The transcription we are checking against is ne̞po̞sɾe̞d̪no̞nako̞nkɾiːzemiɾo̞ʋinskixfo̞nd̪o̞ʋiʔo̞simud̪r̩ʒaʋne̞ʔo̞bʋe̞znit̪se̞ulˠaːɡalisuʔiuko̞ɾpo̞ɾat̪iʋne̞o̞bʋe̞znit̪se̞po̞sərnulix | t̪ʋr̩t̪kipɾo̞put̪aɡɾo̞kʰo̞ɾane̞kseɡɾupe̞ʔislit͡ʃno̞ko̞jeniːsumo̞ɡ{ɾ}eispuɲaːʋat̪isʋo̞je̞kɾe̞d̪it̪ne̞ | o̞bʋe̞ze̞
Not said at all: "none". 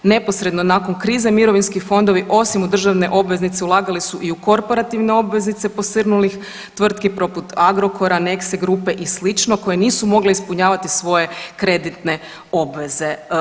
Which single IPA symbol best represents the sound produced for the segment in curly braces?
l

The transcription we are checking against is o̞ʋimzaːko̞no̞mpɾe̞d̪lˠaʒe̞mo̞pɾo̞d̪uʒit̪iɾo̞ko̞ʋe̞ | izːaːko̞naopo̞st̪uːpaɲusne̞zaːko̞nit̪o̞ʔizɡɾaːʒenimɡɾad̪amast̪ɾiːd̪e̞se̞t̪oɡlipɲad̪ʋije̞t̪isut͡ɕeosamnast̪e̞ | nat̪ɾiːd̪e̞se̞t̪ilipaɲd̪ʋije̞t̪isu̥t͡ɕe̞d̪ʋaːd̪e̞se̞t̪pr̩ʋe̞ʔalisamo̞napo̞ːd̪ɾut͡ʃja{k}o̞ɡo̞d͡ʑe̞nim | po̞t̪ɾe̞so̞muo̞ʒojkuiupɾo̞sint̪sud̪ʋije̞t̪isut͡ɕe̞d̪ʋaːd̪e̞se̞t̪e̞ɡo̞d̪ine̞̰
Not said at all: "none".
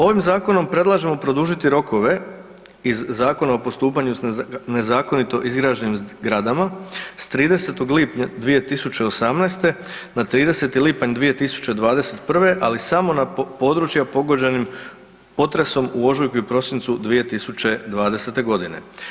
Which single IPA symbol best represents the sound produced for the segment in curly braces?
p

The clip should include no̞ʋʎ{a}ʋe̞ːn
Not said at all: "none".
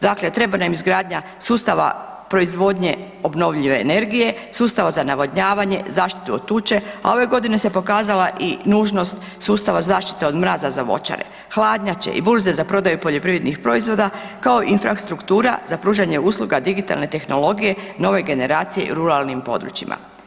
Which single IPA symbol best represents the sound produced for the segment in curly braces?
i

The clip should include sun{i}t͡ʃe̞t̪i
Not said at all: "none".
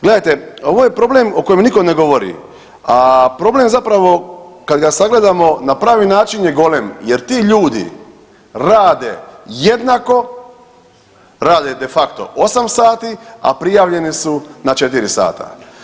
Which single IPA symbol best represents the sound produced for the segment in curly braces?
a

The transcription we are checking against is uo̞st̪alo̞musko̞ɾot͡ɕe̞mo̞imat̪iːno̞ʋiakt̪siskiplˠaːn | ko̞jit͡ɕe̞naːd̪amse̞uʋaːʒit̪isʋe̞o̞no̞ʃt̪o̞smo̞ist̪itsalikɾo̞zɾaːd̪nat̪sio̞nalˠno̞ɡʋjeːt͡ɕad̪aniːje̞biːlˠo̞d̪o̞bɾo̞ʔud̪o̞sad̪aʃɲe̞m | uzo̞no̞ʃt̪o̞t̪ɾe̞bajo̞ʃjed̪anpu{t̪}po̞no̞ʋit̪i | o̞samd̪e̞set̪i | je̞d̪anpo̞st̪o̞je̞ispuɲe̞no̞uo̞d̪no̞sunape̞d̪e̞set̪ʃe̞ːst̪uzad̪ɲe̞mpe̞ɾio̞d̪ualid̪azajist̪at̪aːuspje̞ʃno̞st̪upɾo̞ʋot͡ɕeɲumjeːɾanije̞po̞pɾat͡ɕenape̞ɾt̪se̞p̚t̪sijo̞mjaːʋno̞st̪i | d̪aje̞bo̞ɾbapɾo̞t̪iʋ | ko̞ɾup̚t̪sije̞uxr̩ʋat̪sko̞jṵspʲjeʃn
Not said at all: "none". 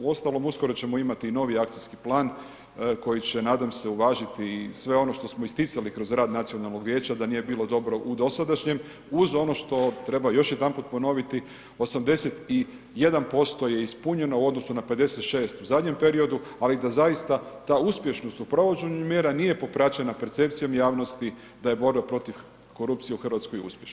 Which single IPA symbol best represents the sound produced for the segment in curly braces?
t̪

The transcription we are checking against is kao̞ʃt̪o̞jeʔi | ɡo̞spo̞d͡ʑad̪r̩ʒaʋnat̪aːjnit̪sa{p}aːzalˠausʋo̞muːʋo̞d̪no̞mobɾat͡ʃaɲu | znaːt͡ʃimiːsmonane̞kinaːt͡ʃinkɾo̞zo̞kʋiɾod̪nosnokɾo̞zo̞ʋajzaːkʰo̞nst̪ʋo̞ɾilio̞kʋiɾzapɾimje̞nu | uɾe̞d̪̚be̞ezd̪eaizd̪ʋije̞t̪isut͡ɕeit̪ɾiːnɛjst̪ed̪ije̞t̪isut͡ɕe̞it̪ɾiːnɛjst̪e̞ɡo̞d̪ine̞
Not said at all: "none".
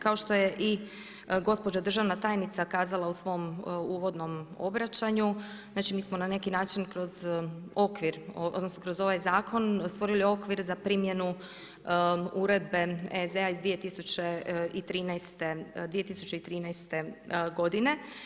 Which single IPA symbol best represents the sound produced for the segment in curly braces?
k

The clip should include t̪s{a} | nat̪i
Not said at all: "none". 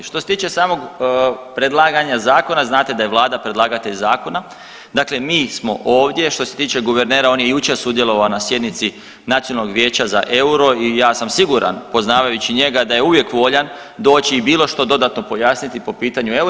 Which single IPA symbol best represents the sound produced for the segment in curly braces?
i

